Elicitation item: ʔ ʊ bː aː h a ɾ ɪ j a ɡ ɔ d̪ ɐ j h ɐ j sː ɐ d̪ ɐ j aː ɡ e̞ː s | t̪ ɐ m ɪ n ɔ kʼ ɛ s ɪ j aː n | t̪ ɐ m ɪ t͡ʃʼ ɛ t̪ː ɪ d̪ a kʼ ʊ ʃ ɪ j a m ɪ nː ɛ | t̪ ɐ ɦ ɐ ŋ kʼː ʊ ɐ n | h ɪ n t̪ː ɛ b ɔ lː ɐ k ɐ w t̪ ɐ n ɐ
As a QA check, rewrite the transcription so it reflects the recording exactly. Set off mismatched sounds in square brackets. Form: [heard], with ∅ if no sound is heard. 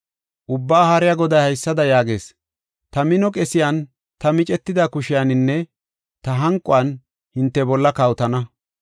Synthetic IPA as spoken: ʔ ʊ bː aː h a ɾ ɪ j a ɡ ɔ d̪ ɐ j h ɐ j sː ɐ d̪ ɐ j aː ɡ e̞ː s | t̪ ɐ m ɪ n ɔ kʼ ɛ s ɪ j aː n | t̪ ɐ m ɪ t͡ʃʼ ɛ t̪ː ɪ d̪ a [k] ʊ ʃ ɪ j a [n] ɪ nː ɛ | t̪ ɐ ɦ ɐ ŋ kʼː ʊ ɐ n | h ɪ n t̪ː ɛ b ɔ lː ɐ k ɐ w t̪ ɐ n ɐ